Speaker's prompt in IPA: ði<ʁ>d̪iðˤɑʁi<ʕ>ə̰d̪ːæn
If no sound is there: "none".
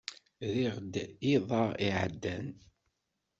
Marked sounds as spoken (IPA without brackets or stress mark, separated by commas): ʁ, ʕ